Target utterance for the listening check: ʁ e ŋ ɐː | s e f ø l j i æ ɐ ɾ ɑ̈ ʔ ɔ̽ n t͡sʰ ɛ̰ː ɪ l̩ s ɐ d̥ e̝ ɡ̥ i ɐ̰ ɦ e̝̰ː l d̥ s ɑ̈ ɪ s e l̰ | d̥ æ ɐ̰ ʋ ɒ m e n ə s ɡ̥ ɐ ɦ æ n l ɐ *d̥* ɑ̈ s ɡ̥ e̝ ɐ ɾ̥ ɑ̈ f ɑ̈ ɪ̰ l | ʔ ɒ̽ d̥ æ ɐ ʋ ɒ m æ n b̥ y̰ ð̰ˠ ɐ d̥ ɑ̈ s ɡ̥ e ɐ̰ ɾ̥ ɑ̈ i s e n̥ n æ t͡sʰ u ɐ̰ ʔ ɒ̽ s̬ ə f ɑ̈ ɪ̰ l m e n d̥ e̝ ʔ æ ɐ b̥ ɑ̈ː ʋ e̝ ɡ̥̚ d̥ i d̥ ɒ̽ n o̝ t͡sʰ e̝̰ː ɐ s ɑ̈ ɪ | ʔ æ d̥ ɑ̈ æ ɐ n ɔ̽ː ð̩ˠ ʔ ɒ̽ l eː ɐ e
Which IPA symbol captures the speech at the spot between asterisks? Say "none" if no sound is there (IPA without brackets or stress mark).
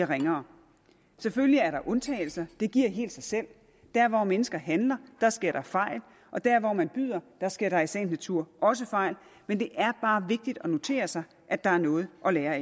d̥